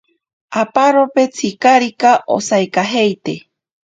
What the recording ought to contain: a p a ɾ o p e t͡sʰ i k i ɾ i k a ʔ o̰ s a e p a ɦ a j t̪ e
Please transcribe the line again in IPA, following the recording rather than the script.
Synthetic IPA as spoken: a p a ɾ o p e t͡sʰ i k a ɾ i k a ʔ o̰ s a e k a ɦ e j t̪ e

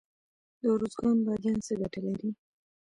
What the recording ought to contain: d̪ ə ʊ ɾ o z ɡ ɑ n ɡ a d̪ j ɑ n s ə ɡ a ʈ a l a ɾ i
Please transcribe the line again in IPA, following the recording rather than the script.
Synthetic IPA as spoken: d̪ ə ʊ ɾ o z ɡ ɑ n b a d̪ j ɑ n s ə ɡ a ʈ a l a ɾ i

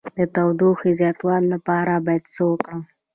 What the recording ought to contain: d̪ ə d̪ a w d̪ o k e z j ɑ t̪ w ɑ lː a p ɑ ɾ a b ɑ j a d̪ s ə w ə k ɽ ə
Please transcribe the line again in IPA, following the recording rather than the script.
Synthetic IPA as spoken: d̪ ə t̪ a w d̪ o x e z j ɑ t̪ w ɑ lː a p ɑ ɾ a b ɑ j a d̪ s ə w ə k ɽ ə

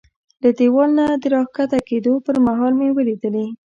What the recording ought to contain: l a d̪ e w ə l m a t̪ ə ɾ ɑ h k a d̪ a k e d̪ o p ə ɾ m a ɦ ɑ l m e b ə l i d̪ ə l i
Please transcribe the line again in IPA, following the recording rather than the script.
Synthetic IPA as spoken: l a d̪ e w ɑ l n a d̪ ə ɾ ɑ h k a t̪ a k e d̪ o p ə ɾ m a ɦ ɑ l m e w ə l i d̪ ə l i

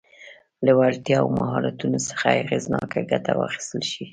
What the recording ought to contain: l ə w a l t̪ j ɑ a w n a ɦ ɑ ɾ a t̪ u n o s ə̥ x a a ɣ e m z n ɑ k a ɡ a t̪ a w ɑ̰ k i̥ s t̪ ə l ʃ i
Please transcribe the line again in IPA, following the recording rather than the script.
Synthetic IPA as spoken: l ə w a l t̪ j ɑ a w m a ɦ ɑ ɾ a t̪ u n o s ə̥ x a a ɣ e z n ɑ k a ɡ a t̪ a w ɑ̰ x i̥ s t̪ ə l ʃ i

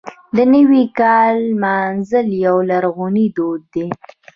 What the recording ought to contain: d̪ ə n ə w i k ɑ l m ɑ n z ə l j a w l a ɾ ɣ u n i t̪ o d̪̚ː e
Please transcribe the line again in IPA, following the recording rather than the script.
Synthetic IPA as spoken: d̪ ə n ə w i k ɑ l m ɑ n z ə l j a w l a ɾ ɣ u n i d̪ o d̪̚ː e

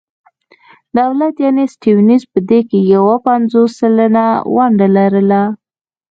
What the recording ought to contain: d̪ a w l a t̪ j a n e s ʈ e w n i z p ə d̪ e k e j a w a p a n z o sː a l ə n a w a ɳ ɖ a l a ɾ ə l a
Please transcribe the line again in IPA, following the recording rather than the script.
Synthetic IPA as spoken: d̪ a w l a t̪ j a n e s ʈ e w n i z p ə d̪ e k e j a w a p a n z o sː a l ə n a w a ɳ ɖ a l a ɾ ə l a

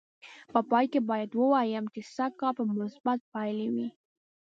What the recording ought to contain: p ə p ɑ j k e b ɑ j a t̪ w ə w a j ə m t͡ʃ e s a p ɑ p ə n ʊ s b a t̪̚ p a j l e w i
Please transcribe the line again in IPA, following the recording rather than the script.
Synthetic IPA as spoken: p ə p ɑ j k e b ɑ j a d̪ w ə w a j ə m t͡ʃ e s a k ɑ p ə m ʊ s b a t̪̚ p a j l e w i

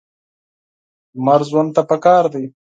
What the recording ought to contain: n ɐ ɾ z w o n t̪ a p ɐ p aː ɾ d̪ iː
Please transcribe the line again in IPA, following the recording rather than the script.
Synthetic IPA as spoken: m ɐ ɾ z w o n t̪ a p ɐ k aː ɾ d̪ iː

